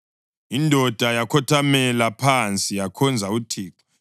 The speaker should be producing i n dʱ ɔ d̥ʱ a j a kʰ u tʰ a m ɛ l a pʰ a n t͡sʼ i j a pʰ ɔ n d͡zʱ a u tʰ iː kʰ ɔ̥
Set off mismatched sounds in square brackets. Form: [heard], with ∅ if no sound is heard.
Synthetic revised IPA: i n dʱ ɔ d̥ʱ a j a kʰ [ɔ] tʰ a m ɛ l a pʰ a n t͡sʼ i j a [kʰ] ɔ n d͡zʱ a u tʰ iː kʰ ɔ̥